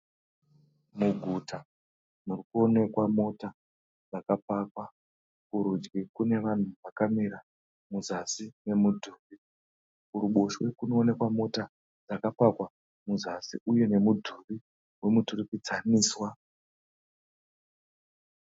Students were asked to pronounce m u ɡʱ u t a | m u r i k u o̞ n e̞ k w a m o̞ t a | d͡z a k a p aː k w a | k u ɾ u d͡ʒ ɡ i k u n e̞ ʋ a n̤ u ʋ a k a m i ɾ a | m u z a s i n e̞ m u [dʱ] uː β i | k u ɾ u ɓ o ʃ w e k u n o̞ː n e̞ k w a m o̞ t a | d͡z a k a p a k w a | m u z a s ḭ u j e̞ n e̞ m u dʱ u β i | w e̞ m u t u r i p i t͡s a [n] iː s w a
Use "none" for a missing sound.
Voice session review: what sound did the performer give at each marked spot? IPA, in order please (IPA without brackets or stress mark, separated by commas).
dʱ, n